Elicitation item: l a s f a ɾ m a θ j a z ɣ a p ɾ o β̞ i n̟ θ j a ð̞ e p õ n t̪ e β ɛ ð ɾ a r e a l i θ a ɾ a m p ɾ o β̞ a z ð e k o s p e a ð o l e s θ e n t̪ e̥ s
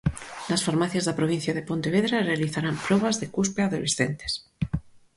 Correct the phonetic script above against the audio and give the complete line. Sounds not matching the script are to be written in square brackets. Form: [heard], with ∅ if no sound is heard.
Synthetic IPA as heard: l a s f a ɾ m a θ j a z [ð] a p ɾ o β̞ i n̟ θ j a ð̞ e p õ n t̪ e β [e] ð ɾ a r e a l i θ a ɾ a m p ɾ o β̞ a z ð e k [u] s p e a ð o l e s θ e n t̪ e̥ s

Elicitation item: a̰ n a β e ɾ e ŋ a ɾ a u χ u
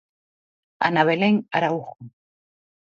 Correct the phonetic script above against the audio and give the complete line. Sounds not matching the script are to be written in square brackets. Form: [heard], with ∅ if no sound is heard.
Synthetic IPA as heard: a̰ n a β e [l] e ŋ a ɾ a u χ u

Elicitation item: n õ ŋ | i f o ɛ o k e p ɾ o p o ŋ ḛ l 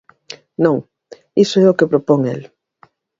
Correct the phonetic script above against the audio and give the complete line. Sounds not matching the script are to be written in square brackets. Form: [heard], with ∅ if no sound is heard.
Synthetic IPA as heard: n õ ŋ | i [s] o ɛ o k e p ɾ o p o ŋ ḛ l

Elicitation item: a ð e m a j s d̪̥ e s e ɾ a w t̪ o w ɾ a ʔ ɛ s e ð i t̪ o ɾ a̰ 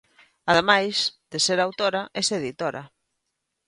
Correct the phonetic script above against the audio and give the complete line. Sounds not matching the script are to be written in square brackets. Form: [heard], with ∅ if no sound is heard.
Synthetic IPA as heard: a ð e m a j s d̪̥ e s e ɾ a w t̪ o [∅] ɾ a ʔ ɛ s e ð i t̪ o ɾ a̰

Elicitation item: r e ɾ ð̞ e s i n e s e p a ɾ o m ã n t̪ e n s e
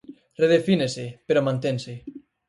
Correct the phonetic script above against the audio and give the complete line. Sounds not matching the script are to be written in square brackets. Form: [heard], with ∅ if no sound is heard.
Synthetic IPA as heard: r e [∅] ð̞ e [f] i n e s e p [e] ɾ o m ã n t̪ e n s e

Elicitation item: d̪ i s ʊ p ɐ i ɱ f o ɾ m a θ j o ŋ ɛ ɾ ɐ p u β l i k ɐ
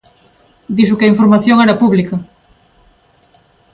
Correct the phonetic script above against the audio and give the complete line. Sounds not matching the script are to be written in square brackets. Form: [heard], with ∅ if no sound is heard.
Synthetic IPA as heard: d̪ i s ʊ [k] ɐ i ɱ f o ɾ m a θ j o ŋ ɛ ɾ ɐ p u β l i k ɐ

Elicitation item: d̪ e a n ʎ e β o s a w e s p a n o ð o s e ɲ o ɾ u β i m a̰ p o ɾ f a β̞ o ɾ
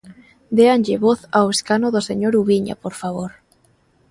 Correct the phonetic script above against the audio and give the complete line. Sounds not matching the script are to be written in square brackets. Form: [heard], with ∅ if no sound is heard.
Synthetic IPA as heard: d̪ e a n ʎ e β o [θ] a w e s [k] a n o ð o s e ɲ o ɾ u β i [ɲ] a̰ p o ɾ f a β̞ o ɾ

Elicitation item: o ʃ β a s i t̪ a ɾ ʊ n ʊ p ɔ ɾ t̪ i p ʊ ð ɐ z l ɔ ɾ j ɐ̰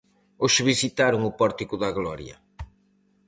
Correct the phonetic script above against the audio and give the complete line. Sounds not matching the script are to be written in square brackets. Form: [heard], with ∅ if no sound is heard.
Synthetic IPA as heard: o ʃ β [i] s i t̪ a ɾ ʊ [ŋ] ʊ p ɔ ɾ t̪ i [k] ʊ ð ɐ [ɣ] l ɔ ɾ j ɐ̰

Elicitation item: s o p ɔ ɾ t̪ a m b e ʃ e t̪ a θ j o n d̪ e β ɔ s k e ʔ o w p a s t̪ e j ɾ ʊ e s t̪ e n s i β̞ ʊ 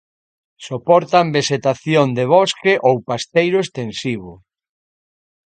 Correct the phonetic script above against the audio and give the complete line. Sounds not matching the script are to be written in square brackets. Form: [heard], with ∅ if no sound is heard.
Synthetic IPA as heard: s o p ɔ ɾ t̪ a m b e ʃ e t̪ a θ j o n d̪ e β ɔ s k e ʔ o w p a s t̪ e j ɾ ʊ e s t̪ e n s i β̞ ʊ

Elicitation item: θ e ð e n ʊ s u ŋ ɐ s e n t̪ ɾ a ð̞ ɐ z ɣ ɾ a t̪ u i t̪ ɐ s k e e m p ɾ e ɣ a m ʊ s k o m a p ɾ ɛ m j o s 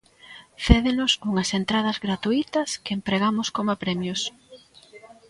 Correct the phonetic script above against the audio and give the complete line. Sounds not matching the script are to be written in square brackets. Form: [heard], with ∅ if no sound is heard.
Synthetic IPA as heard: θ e ð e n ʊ s u ŋ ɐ s e n t̪ ɾ a ð̞ ɐ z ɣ ɾ a t̪ u i t̪ ɐ s k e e m p ɾ e ɣ a m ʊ s k o m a p ɾ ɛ m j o s

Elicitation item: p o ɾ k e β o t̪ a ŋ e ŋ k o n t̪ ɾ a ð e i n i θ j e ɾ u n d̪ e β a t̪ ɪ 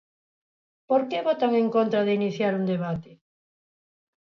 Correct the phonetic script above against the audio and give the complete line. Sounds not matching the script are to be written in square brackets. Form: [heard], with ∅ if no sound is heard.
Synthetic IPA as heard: p o ɾ k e β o t̪ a ŋ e ŋ k o n t̪ ɾ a ð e i n i θ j [a] ɾ u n d̪ e β a t̪ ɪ

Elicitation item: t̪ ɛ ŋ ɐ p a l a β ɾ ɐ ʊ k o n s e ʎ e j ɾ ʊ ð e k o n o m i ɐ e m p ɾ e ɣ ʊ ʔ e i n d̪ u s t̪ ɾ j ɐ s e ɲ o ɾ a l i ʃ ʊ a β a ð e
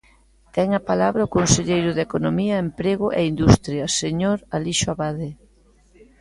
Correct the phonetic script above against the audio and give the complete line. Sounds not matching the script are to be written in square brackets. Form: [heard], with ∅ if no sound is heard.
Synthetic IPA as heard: t̪ ɛ ŋ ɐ p a l a β ɾ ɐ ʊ k o n s e ʎ e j ɾ ʊ ð e k o n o m i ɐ e m p ɾ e ɣ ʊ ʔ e i n d̪ u s t̪ ɾ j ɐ s e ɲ o ɾ a l i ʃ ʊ a β a ð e

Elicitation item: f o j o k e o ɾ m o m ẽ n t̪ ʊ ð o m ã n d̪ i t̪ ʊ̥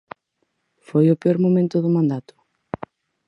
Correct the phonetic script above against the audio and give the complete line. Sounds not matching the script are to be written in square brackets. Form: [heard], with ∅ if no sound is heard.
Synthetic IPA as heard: f o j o [p] e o ɾ m o m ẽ n t̪ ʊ ð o m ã n d̪ [a] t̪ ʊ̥

